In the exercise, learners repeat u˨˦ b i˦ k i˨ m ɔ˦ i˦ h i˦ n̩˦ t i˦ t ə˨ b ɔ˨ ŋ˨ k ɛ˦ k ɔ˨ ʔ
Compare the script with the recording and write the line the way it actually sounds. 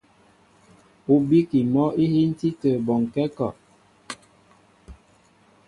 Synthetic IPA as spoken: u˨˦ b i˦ k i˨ m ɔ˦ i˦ h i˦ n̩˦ t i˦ t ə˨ b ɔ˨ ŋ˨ k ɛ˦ k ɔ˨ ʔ